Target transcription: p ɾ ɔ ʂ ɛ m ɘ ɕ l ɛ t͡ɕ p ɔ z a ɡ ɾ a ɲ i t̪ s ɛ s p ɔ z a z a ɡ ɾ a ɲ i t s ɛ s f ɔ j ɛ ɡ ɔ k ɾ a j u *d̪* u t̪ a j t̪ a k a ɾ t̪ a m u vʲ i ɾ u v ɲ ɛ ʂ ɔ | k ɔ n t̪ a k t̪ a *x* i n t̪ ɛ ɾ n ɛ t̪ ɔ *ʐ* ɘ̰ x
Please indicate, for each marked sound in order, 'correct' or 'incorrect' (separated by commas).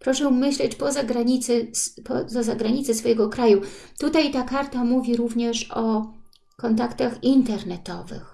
incorrect, correct, incorrect